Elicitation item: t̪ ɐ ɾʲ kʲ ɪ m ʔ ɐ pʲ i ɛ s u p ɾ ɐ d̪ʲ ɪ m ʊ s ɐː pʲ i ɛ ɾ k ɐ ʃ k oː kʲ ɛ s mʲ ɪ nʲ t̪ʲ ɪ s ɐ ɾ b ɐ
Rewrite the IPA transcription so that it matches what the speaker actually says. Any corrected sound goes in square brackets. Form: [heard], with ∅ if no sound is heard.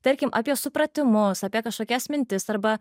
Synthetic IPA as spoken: t̪ ɐ ɾʲ kʲ ɪ m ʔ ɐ pʲ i ɛ s [ʊ] p ɾ ɐ [t̪ʲ] ɪ m ʊ s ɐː pʲ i ɛ [∅] k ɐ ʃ k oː kʲ ɛ s mʲ ɪ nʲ t̪ʲ ɪ s ɐ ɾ b ɐ

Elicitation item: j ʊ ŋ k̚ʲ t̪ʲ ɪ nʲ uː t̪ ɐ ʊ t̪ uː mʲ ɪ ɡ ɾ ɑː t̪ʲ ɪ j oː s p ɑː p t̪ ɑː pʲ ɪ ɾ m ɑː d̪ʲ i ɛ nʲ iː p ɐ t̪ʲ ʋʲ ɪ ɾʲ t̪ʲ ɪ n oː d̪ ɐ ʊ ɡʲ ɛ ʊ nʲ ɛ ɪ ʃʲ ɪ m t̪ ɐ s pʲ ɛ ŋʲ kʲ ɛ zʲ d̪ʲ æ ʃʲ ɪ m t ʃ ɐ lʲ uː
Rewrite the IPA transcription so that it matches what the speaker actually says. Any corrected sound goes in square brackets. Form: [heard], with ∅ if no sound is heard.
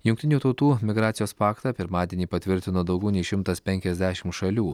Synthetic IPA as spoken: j ʊ ŋ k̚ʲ t̪ʲ ɪ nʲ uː t̪ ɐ ʊ t̪ uː mʲ ɪ ɡ ɾ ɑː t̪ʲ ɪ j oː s p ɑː [k] t̪ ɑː pʲ ɪ ɾ m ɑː d̪ʲ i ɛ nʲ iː p ɐ t̪ʲ ʋʲ ɪ ɾʲ t̪ʲ ɪ n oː d̪ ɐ ʊ ɡʲ ɛ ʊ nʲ ɛ ɪ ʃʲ ɪ m t̪ ɐ s pʲ ɛ ŋʲ kʲ ɛ zʲ d̪ʲ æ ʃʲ ɪ m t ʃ ɐ lʲ uː

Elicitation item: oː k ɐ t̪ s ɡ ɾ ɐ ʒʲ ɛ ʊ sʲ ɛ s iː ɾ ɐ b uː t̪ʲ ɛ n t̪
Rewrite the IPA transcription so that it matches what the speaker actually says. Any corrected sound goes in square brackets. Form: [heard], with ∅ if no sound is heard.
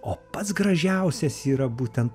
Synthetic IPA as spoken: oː [p] ɐ t̪ s ɡ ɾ ɐ ʒʲ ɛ ʊ sʲ ɛ s iː ɾ ɐ b uː t̪ʲ ɛ n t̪

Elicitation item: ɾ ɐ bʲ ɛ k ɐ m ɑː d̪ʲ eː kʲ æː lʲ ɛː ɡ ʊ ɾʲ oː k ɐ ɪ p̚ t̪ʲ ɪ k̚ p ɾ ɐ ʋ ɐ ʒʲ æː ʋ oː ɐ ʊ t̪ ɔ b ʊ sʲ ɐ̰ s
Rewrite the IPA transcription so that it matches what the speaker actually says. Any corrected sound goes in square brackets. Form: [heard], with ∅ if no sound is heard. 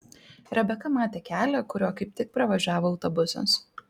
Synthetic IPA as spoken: ɾ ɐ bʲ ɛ k ɐ m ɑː [t̪ʲ] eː kʲ æː lʲ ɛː [k] ʊ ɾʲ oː k ɐ ɪ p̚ t̪ʲ ɪ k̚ p ɾ ɐ ʋ ɐ ʒʲ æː ʋ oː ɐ ʊ t̪ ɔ b ʊ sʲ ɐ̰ s

